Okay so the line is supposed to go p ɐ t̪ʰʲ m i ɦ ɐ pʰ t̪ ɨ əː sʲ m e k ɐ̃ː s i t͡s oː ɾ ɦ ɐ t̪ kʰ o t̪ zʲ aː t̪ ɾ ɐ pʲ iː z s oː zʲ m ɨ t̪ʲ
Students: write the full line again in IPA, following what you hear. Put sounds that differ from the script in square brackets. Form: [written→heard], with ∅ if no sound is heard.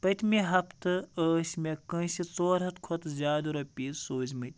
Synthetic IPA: p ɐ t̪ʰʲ m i ɦ ɐ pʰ t̪ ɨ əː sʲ m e k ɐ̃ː s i t͡s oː ɾ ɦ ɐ t̪ kʰ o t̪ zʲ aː [t̪→d̪] ɾ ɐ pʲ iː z s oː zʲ m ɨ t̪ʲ